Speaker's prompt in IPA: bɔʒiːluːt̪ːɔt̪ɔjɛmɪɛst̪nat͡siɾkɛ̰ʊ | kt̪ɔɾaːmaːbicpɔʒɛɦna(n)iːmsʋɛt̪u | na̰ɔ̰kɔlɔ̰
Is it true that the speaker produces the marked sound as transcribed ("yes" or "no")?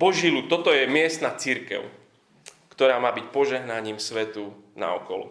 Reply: no